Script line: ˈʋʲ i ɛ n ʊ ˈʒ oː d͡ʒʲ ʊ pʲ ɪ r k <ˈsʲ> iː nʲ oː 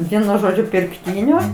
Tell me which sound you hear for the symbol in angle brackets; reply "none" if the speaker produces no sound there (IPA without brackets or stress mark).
tʲ